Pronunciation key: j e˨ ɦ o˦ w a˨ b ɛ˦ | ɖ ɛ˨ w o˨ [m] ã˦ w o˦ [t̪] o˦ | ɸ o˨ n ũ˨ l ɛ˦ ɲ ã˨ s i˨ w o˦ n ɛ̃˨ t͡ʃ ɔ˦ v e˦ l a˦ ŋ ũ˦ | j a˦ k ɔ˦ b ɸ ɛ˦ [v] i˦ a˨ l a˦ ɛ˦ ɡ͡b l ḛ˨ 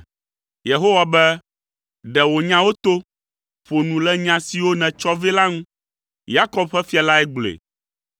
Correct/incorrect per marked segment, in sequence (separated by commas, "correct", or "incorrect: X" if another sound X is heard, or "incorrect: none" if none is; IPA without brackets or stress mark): incorrect: ɲ, correct, incorrect: f